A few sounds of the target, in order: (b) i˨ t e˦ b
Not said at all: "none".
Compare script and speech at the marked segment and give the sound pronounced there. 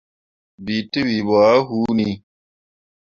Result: b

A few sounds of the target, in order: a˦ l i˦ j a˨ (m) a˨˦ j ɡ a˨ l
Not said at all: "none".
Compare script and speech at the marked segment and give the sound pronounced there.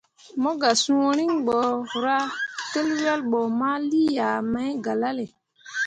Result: m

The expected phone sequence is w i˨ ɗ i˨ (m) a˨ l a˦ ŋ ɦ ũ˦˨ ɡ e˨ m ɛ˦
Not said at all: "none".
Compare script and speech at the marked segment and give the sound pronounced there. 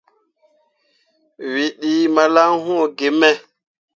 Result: m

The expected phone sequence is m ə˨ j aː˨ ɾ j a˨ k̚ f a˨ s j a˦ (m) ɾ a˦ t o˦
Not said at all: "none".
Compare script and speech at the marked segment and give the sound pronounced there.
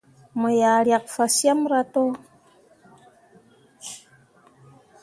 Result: m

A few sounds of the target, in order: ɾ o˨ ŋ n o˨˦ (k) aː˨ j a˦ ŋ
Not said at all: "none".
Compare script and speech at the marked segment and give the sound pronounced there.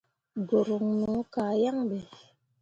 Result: k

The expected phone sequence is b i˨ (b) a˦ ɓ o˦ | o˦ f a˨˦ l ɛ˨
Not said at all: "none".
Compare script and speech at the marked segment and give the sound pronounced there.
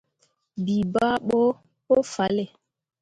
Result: b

